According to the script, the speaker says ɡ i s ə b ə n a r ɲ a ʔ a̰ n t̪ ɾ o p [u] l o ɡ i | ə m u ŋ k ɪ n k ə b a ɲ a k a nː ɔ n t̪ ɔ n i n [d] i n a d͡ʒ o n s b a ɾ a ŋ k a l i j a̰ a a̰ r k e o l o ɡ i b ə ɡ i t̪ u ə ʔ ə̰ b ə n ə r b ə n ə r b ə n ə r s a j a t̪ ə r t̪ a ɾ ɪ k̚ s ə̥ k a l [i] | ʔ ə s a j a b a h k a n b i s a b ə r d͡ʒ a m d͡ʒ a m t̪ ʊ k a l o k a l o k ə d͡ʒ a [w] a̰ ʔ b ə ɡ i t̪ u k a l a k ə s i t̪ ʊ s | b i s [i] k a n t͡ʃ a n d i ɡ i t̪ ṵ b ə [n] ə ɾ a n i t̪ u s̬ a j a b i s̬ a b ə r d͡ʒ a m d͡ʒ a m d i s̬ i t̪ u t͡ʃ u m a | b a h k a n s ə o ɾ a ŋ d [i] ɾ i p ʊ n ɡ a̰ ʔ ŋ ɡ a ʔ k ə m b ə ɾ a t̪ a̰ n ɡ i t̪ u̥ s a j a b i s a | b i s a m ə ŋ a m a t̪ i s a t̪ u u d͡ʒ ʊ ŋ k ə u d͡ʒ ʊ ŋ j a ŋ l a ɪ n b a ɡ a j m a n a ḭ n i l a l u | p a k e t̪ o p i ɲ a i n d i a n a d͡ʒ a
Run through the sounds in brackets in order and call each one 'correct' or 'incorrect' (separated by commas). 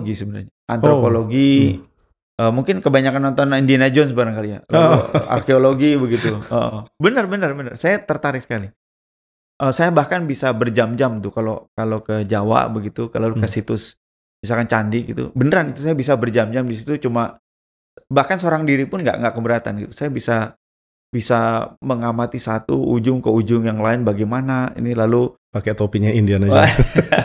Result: incorrect, correct, correct, correct, incorrect, correct, correct